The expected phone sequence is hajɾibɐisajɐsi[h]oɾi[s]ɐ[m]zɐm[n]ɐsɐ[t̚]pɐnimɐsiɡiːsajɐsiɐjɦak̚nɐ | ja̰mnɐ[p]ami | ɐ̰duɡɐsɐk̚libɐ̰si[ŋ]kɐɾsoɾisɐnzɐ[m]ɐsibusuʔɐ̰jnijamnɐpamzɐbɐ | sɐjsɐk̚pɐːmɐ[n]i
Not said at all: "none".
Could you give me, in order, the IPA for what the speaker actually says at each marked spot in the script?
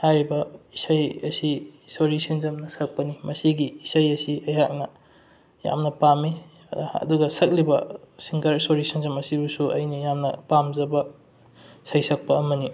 s, s, n, n, k̚, p, ŋ, m, n

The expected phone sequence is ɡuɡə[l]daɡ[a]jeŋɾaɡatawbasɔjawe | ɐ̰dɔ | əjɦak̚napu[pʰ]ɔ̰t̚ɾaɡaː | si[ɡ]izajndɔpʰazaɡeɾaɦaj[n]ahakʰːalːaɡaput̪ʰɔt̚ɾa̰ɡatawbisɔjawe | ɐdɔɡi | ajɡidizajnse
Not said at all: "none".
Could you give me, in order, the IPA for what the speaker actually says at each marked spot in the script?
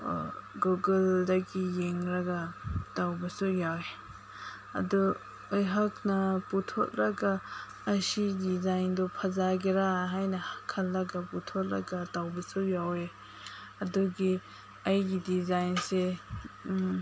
l, i, tʰ, d, n

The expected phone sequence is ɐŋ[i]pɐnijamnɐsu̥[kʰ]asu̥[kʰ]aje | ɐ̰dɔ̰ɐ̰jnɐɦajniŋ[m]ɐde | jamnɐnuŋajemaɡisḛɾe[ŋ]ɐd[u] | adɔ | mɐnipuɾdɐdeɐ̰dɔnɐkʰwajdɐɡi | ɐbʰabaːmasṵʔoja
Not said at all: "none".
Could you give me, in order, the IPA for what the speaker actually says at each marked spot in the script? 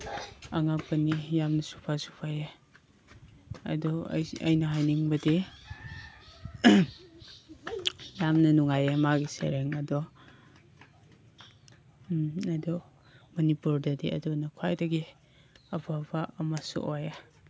a, pʰ, pʰ, b, ŋ, ɔ

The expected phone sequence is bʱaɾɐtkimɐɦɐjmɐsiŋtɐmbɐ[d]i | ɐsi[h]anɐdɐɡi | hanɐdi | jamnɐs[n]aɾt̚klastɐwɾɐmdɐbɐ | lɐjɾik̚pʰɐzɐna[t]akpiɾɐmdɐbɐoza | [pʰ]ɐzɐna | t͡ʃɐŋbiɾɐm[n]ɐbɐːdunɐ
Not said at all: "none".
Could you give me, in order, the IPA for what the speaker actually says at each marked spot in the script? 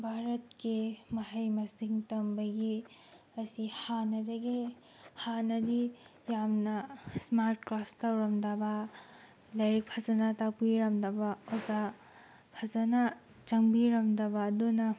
ɡ, h, m, t, pʰ, d

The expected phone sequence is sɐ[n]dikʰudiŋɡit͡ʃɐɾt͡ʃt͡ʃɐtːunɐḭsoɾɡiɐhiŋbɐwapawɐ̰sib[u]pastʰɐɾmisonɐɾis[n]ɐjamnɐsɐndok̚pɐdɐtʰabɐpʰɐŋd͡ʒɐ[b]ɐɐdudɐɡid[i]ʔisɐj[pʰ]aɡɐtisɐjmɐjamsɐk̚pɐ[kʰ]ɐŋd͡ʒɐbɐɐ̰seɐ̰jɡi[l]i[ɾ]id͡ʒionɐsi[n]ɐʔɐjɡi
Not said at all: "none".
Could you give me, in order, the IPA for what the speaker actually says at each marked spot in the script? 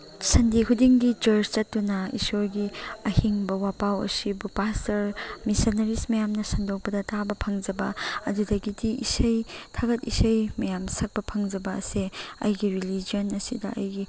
n, u, m, b, i, tʰ, pʰ, ɾ, l, d

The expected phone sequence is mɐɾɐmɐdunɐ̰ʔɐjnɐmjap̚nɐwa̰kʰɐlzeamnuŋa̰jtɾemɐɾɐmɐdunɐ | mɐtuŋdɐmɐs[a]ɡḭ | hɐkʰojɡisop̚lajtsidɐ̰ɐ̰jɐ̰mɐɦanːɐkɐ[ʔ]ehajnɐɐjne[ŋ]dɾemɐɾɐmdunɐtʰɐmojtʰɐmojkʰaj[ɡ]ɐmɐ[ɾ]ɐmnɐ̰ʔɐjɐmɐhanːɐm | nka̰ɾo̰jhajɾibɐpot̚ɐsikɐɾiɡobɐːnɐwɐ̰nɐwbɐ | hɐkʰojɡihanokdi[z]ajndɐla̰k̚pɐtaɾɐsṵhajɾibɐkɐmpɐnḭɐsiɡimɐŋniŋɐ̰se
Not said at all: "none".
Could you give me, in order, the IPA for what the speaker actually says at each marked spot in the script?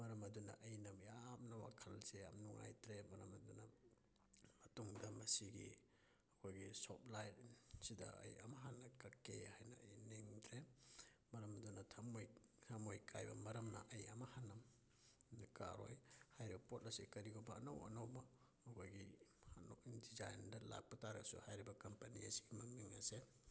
i, k, ŋ, b, ɾ, z

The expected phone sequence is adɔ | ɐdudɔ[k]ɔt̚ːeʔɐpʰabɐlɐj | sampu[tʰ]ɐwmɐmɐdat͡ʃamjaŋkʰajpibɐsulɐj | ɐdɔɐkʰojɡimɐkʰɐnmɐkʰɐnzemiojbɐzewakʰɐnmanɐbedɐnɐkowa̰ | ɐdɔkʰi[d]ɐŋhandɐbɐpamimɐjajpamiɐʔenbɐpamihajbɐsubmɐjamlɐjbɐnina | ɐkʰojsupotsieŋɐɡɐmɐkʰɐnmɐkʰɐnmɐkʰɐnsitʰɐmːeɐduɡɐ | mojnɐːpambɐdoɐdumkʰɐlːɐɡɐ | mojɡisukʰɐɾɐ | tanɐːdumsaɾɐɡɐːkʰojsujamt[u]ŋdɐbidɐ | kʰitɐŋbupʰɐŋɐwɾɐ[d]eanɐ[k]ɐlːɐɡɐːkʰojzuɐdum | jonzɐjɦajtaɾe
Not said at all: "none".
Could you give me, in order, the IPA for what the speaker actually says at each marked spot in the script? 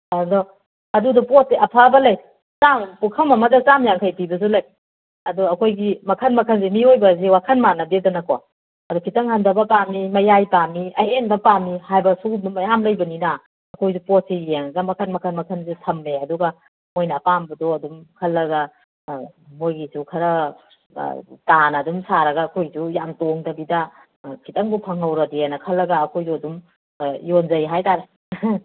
p, kʰ, t, o, d, kʰ

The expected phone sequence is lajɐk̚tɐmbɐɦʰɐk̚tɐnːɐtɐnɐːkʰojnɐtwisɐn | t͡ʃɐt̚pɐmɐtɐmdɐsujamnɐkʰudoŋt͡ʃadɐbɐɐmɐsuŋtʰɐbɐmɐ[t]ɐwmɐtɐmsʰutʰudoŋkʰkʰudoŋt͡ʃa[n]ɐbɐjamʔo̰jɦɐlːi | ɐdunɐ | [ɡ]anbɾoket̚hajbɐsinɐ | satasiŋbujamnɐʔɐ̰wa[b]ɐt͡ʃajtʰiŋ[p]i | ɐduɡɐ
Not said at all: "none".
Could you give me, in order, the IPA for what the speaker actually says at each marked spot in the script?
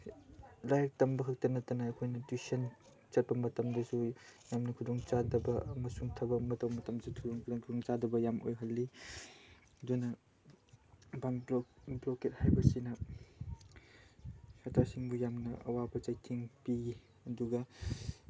t, d, b, b, p

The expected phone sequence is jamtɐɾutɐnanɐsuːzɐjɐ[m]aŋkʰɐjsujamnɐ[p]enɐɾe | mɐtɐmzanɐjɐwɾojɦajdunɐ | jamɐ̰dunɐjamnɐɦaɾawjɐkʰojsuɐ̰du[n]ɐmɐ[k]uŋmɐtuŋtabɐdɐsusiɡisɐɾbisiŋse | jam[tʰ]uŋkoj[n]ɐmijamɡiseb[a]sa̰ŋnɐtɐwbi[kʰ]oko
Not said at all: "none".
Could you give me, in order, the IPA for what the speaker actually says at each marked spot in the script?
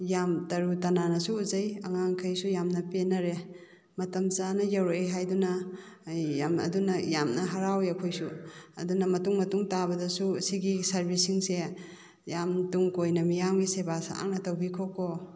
ŋ, p, n, t, t, n, a, kʰ

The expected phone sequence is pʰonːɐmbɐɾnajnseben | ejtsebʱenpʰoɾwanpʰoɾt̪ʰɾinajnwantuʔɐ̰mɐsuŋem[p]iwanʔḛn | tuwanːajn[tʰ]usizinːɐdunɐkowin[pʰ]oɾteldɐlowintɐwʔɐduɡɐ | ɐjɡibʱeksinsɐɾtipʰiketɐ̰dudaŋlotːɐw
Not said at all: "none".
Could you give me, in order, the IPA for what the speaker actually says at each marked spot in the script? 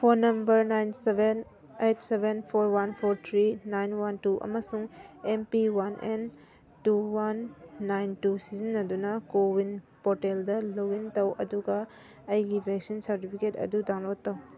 p, t, p

